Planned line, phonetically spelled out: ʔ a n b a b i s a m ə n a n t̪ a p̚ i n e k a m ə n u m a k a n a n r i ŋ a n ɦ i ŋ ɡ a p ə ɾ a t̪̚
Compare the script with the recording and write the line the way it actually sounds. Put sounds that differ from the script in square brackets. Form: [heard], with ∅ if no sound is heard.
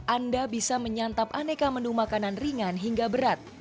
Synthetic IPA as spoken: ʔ a n [d] a b i s a m ə [ɲ] a n t̪ a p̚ [a] n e k a m ə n u m a k a n a n r i ŋ a n ɦ i ŋ ɡ a [b] ə ɾ a t̪̚